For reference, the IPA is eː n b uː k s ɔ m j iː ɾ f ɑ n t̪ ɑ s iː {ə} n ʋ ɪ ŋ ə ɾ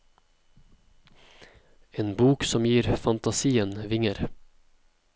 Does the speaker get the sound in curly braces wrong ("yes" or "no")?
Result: no